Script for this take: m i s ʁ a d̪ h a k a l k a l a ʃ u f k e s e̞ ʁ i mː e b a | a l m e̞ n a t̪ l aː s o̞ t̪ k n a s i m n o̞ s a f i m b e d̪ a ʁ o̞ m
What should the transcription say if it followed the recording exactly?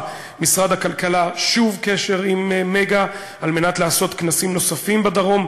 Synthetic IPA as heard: m i s ʁ a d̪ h a k a l k a l a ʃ u v k e ʃ e̞ ʁ i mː e ɡ a | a l m e̞ n a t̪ l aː s o̞ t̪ k n a s i m n o̞ s a f i m b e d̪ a ʁ o̞ m